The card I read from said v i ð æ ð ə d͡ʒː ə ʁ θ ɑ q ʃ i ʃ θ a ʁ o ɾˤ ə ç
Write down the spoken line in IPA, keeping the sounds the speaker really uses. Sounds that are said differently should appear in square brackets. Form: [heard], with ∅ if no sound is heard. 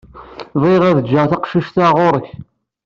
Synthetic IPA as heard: v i [ʁ] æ ð ə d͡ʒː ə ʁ θ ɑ q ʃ i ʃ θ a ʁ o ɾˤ ə ç